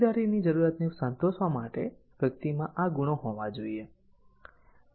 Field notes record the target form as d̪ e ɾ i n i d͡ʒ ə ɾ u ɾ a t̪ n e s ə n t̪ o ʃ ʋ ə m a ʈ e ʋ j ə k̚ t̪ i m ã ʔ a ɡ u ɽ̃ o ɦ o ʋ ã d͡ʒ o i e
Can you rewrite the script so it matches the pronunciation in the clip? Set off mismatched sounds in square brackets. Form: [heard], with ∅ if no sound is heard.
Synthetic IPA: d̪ [a] ɾ i n i d͡ʒ ə ɾ u ɾ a t̪ n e s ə n t̪ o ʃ ʋ [a] m a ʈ e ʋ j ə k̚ t̪ i m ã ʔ a ɡ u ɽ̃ o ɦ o ʋ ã d͡ʒ o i e